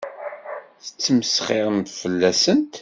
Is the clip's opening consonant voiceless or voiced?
voiceless